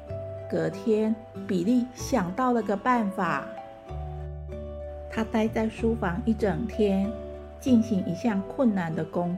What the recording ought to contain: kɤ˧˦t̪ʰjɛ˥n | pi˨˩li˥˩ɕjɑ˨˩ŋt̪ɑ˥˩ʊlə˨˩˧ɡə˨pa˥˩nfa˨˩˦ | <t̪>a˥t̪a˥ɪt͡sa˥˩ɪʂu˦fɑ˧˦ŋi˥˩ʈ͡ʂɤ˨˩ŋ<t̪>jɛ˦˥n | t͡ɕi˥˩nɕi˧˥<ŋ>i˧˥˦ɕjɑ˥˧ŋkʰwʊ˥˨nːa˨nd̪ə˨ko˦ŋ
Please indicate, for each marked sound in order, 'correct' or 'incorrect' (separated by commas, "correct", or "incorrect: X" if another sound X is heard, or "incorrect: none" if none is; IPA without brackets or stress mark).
incorrect: t̪ʰ, incorrect: t̪ʰ, correct